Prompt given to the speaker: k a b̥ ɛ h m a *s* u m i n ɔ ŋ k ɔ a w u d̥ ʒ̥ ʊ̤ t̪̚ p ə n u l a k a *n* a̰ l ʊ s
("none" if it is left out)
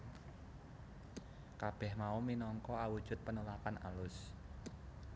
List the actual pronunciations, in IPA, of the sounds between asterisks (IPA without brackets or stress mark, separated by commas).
none, n